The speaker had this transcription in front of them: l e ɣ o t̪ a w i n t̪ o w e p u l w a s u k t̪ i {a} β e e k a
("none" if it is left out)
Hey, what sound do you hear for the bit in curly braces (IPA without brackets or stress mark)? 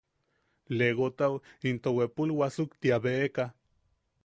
a